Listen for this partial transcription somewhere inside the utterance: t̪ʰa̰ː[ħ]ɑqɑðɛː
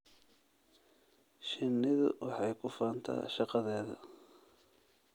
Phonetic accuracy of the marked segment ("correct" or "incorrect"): incorrect